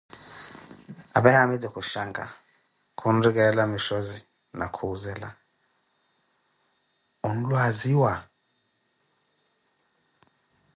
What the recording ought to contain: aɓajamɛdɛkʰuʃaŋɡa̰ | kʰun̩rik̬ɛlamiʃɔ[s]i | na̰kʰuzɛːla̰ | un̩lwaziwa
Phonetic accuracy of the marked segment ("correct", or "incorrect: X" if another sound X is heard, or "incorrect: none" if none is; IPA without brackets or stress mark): incorrect: z